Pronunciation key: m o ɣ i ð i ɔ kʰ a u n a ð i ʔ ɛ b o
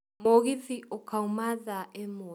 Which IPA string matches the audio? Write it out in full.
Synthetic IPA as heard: m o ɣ i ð i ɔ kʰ a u m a ð a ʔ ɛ m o